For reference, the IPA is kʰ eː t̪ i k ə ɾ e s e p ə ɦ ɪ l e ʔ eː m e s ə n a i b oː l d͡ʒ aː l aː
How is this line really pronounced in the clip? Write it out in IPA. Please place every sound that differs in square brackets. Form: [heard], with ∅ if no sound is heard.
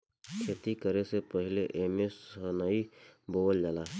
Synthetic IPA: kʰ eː t̪ i k ə ɾ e s e p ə ɦ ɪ l e ʔ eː m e s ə n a i b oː l d͡ʒ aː l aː